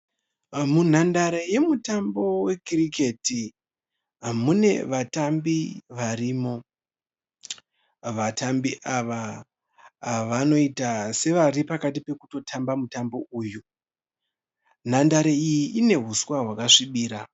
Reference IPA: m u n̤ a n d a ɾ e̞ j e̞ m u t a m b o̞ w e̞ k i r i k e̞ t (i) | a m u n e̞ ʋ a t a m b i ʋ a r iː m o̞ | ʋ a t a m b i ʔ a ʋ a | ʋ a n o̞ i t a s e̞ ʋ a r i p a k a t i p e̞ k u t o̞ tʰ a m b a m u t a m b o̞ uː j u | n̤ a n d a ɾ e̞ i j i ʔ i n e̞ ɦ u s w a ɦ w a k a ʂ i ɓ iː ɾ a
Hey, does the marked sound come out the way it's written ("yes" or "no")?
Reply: yes